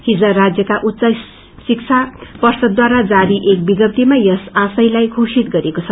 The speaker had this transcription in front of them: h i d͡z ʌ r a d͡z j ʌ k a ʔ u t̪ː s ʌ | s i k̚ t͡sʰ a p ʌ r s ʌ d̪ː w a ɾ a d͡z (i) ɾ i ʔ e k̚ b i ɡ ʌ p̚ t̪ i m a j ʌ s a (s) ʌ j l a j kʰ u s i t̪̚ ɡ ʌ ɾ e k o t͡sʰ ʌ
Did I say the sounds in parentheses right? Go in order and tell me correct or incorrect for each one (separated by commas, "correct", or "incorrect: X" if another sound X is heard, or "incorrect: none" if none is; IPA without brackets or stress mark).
incorrect: a, correct